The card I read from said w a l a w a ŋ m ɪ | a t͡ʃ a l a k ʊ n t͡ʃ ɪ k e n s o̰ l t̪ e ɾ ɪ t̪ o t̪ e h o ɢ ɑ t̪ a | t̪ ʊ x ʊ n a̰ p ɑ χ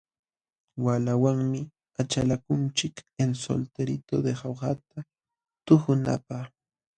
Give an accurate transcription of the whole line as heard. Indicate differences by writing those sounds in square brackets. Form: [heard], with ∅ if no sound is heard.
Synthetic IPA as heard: w a l a w a ŋ m ɪ | a t͡ʃ a l a k ʊ n t͡ʃ ɪ k e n s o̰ l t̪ e ɾ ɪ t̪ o [d̪] e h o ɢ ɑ t̪ a | t̪ ʊ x ʊ n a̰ p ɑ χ